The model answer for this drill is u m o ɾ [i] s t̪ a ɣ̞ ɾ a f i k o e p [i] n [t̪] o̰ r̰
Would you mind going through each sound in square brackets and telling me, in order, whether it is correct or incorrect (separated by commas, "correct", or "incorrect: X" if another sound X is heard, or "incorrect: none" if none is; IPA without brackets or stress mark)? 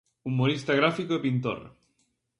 correct, correct, correct